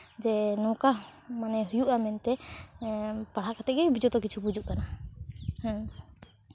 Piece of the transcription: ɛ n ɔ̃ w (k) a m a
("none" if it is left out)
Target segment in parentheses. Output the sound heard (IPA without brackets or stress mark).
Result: k